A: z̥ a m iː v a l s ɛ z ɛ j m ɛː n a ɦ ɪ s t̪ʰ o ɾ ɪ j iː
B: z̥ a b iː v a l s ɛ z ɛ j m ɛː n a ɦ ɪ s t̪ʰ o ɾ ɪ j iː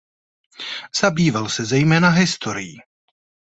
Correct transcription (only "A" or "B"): B